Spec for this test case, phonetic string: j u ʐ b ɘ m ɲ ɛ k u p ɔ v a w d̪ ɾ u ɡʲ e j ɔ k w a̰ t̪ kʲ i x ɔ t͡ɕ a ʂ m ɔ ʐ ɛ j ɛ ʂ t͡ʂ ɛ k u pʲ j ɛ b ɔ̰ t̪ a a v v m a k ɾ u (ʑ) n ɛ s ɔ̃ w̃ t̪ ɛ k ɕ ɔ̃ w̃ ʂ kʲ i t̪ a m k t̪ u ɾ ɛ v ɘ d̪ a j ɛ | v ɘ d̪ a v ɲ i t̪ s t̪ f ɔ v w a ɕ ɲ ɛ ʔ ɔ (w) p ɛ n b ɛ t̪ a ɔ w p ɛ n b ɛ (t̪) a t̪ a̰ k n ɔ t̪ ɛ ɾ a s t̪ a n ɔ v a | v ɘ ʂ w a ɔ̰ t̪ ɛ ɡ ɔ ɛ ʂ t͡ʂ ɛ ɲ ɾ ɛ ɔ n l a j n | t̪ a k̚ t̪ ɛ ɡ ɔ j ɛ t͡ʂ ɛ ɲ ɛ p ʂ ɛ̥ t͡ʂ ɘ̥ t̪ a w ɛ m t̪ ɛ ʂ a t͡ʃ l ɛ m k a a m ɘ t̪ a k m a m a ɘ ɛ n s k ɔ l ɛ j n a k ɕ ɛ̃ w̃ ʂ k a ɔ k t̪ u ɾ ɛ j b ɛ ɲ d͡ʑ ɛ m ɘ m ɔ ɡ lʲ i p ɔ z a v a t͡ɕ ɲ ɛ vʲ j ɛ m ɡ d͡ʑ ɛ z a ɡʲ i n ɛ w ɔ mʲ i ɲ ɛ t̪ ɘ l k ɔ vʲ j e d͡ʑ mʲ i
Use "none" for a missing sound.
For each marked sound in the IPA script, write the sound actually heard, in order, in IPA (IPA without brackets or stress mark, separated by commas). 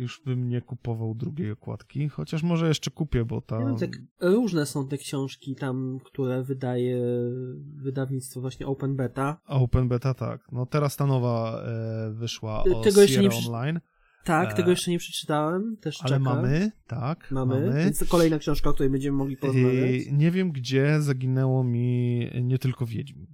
ʐ, w, t̪